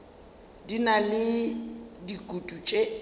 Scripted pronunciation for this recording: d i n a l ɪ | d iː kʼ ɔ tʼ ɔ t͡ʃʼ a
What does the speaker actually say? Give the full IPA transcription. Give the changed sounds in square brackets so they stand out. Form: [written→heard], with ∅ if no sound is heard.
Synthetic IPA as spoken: d i n a l ɪ | d [iː→i] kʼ [ɔ→u] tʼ [ɔ→u] t͡ʃʼ [a→e]